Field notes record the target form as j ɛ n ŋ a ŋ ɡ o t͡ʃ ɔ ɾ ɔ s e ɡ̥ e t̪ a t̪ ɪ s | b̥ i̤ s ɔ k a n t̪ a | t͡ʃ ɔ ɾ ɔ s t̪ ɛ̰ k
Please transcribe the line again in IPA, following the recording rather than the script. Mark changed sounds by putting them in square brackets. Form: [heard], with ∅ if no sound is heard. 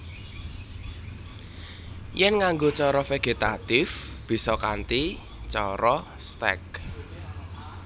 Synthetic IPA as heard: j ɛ n ŋ a ŋ ɡ o t͡ʃ ɔ ɾ ɔ [f] e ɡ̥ e t̪ a t̪ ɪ [f] | b̥ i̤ s ɔ k a n t̪ [i] | t͡ʃ ɔ ɾ ɔ s t̪ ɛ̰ k